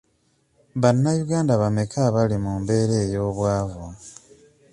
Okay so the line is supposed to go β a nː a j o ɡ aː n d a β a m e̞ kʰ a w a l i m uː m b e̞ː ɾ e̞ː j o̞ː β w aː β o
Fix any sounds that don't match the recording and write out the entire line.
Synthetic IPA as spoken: β a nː a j u ɡ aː n d a β a m e̞ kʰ a β a l i m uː m b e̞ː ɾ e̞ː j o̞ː β w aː v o